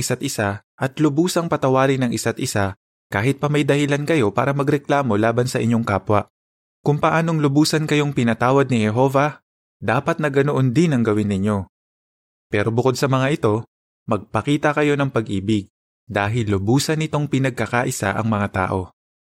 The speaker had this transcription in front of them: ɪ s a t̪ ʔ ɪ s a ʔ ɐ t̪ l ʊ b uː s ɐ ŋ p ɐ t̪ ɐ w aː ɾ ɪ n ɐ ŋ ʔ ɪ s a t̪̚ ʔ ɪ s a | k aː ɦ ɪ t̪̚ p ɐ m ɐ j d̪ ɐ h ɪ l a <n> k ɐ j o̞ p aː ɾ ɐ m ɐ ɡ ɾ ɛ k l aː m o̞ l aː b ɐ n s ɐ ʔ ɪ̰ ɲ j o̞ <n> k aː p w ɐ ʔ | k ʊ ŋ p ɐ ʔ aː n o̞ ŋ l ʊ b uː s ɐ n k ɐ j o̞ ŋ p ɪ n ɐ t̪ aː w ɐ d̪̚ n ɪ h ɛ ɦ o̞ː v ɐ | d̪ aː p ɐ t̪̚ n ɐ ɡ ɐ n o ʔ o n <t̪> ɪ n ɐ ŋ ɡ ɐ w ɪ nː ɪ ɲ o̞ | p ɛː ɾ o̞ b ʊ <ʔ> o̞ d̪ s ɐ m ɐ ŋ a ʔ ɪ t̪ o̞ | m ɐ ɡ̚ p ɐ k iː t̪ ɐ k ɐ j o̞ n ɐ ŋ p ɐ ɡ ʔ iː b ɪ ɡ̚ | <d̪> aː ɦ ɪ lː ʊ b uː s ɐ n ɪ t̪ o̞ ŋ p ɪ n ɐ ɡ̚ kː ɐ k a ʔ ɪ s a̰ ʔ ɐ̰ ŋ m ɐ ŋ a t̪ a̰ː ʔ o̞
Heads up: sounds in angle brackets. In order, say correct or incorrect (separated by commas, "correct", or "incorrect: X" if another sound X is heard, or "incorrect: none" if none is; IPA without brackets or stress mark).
correct, incorrect: ŋ, incorrect: d̪, incorrect: k, correct